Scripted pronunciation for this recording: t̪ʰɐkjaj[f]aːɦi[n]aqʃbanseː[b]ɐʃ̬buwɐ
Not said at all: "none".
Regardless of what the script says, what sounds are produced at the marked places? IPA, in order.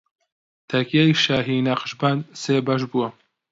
ʃ, n, b

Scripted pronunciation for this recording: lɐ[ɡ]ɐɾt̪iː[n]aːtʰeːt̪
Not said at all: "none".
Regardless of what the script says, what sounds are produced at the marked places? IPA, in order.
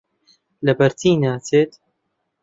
b, n

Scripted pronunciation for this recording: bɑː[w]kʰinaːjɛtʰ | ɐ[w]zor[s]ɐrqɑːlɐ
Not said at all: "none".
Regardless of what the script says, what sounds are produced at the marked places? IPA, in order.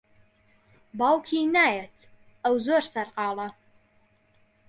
w, w, s

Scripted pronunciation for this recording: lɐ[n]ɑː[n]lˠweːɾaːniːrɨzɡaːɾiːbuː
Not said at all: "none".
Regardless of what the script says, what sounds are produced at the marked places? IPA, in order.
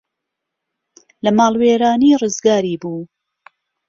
m, none

